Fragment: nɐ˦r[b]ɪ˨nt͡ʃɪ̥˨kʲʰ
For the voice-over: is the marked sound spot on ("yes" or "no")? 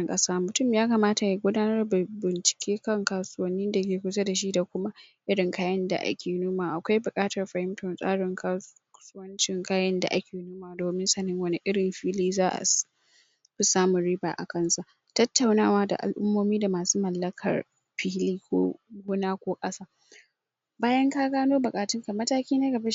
yes